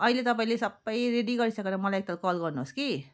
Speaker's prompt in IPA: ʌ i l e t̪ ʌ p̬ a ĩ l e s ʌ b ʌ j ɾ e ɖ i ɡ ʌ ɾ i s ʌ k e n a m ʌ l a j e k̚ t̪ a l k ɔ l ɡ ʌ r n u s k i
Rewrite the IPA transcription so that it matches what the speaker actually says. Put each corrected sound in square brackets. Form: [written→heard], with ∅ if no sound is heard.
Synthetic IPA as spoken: ʌ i l e t̪ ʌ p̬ a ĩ l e s ʌ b ʌ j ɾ e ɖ i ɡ ʌ ɾ i s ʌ k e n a m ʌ l a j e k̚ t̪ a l k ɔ l ɡ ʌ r n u s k i